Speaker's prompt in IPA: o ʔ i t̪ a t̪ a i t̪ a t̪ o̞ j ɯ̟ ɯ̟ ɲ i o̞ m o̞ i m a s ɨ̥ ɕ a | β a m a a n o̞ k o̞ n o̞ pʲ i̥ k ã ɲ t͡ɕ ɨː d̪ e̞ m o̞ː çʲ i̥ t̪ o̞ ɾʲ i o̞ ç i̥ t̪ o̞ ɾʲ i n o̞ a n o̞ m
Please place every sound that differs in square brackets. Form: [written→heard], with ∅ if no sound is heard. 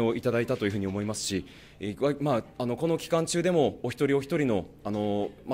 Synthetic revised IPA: o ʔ i t̪ a [t̪→d̪] a i t̪ a t̪ o̞ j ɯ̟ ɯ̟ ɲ i o̞ m o̞ i m a s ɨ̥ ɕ [a→i] | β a m a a n o̞ k o̞ n o̞ [pʲ→kʲ] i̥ k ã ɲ t͡ɕ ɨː d̪ e̞ m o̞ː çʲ i̥ t̪ o̞ ɾʲ i o̞ ç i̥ t̪ o̞ ɾʲ i n o̞ a n o̞ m